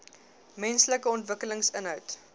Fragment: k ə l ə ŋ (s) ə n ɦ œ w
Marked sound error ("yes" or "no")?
no